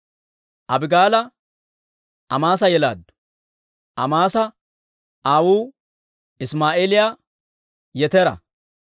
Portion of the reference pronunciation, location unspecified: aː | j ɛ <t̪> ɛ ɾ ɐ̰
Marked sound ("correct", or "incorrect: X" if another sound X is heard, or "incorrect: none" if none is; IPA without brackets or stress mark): correct